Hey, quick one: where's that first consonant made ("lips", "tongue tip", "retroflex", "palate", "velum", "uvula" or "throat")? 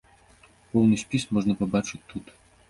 lips